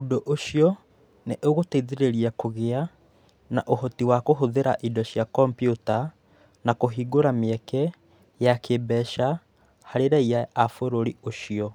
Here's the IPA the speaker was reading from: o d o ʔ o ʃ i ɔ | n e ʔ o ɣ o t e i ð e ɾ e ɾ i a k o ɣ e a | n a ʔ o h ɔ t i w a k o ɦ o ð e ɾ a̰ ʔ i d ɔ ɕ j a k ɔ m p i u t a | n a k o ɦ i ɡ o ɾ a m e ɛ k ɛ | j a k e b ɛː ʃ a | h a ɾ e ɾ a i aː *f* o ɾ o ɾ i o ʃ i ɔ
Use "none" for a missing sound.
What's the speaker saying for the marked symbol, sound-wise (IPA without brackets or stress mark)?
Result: f